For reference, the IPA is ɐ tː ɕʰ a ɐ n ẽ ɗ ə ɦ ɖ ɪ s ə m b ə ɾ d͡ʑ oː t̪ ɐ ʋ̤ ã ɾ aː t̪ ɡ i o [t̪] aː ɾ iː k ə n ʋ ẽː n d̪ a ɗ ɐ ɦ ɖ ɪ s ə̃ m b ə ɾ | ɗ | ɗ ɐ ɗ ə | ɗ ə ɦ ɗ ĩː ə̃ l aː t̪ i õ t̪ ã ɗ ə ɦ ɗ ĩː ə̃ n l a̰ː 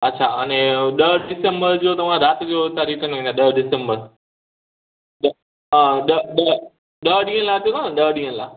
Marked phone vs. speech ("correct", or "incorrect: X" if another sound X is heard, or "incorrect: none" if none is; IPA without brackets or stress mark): correct